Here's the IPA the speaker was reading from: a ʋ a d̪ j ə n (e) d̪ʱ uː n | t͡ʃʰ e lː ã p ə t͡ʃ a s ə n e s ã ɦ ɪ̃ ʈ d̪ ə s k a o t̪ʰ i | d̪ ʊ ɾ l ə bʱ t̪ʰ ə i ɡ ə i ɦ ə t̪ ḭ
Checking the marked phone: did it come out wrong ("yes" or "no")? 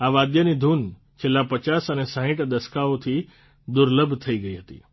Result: yes